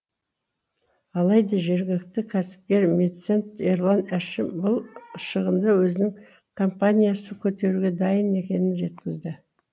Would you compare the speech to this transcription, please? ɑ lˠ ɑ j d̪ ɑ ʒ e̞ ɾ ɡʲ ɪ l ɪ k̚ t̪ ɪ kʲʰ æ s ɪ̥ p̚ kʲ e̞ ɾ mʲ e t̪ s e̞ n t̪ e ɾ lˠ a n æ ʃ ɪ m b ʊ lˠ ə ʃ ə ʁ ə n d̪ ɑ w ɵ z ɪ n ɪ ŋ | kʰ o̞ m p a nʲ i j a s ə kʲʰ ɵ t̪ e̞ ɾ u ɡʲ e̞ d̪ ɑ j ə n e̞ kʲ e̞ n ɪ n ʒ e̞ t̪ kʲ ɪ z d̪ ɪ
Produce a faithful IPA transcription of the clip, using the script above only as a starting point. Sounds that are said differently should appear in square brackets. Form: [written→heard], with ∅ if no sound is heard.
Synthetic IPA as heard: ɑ lˠ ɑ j d̪ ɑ ʒ e̞ ɾ ɡʲ ɪ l ɪ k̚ t̪ ɪ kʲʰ æ s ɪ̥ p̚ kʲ e̞ ɾ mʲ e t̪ s e̞ n t̪ e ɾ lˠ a n æ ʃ ɪ m b ʊ lˠ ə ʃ ə ʁ ə n d̪ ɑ w ɵ z ɪ n ɪ ŋ | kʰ o̞ m p a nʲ i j a s ə kʲʰ ɵ t̪ e̞ ɾ u ɡʲ e̞ d̪ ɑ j ə n e̞ kʲ e̞ n ɪ n ʒ e̞ t̪ kʲ ɪ z d̪ ɪ

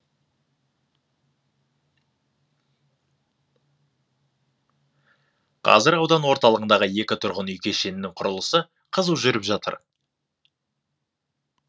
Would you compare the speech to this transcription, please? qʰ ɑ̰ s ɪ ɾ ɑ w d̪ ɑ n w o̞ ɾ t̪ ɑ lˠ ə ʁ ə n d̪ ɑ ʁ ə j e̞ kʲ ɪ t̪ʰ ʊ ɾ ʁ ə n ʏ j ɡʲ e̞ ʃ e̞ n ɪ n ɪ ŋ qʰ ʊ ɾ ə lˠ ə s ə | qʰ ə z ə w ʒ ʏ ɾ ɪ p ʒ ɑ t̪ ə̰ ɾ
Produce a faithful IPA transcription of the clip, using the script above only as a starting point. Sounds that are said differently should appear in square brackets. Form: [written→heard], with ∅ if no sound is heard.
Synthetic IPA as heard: qʰ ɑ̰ [s→z] ɪ ɾ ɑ w d̪ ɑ n w o̞ ɾ t̪ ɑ lˠ ə ʁ ə n d̪ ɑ ʁ ə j e̞ kʲ ɪ t̪ʰ ʊ ɾ ʁ ə n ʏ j [ɡʲ→kʲ] e̞ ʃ e̞ n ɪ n ɪ ŋ qʰ ʊ ɾ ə lˠ ə s ə | qʰ ə z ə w ʒ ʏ ɾ ɪ p ʒ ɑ t̪ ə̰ ɾ

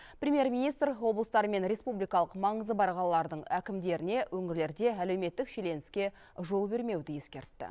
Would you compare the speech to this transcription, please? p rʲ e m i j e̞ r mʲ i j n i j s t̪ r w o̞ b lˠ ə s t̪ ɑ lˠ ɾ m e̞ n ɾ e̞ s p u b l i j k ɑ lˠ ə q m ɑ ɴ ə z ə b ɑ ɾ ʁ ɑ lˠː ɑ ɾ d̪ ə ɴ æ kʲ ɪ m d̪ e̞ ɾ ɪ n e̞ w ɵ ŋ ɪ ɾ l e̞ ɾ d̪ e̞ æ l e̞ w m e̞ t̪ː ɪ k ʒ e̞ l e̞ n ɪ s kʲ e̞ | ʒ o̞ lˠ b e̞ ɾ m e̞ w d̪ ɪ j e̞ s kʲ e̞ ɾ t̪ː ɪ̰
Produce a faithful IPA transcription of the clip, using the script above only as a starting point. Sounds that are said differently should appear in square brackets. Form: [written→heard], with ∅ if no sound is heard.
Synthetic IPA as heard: p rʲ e m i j e̞ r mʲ i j n i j s t̪ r w o̞ b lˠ ə s t̪ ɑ [lˠ→∅] ɾ m e̞ n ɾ e̞ s p u b l i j k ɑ lˠ ə q m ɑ ɴ ə z ə b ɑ ɾ ʁ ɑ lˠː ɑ ɾ d̪ ə ɴ æ kʲ ɪ m d̪ e̞ ɾ ɪ n e̞ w ɵ ŋ ɪ ɾ l e̞ ɾ d̪ e̞ æ l e̞ w m e̞ t̪ː ɪ k [ʒ→ʃ] e̞ l e̞ n ɪ s kʲ e̞ | ʒ o̞ lˠ b e̞ ɾ m e̞ w d̪ ɪ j e̞ s kʲ e̞ ɾ t̪ː ɪ̰

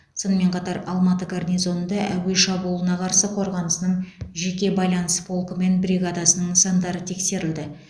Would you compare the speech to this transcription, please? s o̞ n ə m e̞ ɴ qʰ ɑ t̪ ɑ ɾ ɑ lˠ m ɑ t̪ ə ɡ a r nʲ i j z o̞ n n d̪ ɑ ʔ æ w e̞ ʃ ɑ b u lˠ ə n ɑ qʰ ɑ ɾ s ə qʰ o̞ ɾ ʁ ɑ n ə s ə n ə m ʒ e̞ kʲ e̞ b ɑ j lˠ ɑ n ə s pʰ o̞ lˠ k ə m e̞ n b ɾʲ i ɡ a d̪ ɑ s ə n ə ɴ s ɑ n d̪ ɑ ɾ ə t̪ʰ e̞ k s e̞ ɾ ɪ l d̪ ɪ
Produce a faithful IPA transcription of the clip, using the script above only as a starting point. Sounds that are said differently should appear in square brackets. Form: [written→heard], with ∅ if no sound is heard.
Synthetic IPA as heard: s o̞ n ə m e̞ ɴ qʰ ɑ t̪ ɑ ɾ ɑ lˠ m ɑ t̪ ə ɡ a r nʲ i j z o̞ n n d̪ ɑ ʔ æ w e̞ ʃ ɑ b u lˠ ə n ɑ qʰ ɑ ɾ s ə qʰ o̞ ɾ ʁ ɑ n ə s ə n ə [m→ɴ] ʒ e̞ kʲ e̞ b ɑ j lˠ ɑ n ə s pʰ o̞ lˠ k ə m e̞ n b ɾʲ i ɡ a d̪ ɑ s ə n ə ɴ s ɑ n d̪ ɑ ɾ ə t̪ʰ e̞ k s e̞ ɾ ɪ l d̪ ɪ

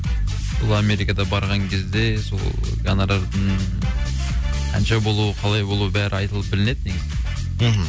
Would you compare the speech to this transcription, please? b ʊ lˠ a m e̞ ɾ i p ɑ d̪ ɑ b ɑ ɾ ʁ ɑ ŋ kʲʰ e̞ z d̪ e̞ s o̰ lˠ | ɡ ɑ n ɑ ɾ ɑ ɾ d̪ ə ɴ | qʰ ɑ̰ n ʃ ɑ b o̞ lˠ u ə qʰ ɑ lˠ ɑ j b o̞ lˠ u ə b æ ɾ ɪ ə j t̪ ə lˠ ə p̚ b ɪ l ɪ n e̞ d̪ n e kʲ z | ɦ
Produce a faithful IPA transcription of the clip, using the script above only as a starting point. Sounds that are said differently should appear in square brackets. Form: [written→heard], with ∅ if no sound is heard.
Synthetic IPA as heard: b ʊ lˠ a m e̞ ɾ i [p→k] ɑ d̪ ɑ b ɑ ɾ ʁ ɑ ŋ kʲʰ e̞ z d̪ e̞ s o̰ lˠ | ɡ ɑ n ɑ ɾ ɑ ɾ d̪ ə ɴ | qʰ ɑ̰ n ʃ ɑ b o̞ lˠ u ə qʰ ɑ lˠ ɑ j b o̞ lˠ u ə b æ ɾ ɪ [ə→ɑ] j t̪ ə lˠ ə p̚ b ɪ l ɪ n e̞ d̪ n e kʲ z | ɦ

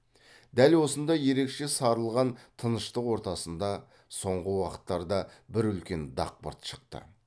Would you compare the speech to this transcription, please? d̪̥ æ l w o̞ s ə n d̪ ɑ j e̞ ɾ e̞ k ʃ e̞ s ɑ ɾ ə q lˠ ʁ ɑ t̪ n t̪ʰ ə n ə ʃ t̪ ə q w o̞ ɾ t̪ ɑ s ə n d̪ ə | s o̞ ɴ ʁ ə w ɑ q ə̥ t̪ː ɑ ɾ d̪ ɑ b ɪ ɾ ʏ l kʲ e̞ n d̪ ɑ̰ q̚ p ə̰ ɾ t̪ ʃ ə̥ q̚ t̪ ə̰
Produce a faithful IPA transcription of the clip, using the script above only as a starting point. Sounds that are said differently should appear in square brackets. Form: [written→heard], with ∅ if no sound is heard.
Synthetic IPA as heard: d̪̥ æ l w o̞ s ə n d̪ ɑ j e̞ ɾ e̞ k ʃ e̞ s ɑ ɾ ə [q→∅] lˠ ʁ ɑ [t̪→∅] n t̪ʰ ə n ə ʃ t̪ ə q w o̞ ɾ t̪ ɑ s ə n d̪ [ə→ɑ] | s o̞ ɴ ʁ ə w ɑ q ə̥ t̪ː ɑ ɾ d̪ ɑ b ɪ ɾ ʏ l kʲ e̞ n d̪ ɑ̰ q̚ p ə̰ ɾ t̪ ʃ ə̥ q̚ t̪ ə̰

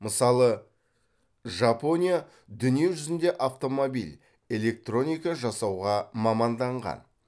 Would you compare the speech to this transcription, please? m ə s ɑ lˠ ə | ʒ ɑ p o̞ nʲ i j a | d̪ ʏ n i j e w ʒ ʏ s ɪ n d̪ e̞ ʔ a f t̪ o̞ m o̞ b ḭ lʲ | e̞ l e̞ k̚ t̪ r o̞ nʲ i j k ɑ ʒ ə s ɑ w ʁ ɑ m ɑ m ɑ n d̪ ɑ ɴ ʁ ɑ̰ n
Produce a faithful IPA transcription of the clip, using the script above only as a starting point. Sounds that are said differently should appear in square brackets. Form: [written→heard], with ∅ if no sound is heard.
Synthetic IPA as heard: m ə s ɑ lˠ ə | ʒ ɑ p o̞ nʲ i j a | d̪ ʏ n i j e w ʒ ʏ [s→z] ɪ n d̪ e̞ ʔ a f t̪ o̞ m o̞ b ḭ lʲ | e̞ l e̞ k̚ t̪ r o̞ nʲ i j k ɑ ʒ [ə→ɑ] s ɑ w ʁ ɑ m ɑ m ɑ n d̪ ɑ ɴ ʁ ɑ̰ n

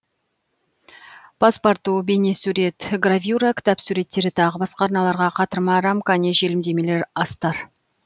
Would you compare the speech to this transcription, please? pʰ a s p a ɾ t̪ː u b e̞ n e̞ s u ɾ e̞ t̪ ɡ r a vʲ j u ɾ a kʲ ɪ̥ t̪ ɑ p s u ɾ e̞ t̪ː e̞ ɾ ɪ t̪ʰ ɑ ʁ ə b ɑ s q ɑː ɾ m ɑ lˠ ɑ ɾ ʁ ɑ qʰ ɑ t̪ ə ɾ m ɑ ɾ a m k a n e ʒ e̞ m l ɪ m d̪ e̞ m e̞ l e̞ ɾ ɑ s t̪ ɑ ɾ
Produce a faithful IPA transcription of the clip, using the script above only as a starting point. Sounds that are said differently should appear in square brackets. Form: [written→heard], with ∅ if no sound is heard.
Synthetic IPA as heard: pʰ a s p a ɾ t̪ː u b e̞ n e̞ s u ɾ e̞ t̪ ɡ r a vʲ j u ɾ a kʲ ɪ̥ t̪ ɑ p s u ɾ e̞ t̪ː e̞ ɾ ɪ t̪ʰ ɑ ʁ ə b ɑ s q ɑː ɾ [m→n] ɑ lˠ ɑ ɾ ʁ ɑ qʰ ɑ t̪ ə ɾ m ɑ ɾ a m k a n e ʒ e̞ [m→∅] l ɪ m d̪ e̞ m e̞ l e̞ ɾ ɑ s t̪ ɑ ɾ

